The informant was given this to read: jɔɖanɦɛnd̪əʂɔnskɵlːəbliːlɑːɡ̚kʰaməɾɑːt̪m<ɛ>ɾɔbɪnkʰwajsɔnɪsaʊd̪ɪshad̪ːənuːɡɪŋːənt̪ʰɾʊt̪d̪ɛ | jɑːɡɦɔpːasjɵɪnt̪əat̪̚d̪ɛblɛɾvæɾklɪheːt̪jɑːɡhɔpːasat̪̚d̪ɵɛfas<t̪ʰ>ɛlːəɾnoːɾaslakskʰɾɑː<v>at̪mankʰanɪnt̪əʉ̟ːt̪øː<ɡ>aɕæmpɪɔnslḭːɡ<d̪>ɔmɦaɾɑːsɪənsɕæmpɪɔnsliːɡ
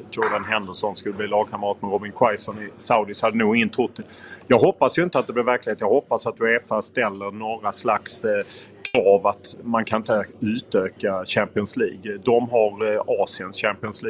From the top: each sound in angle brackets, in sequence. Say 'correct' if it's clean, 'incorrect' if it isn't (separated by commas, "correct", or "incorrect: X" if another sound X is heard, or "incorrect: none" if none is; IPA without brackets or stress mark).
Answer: correct, incorrect: t̪, correct, incorrect: k, correct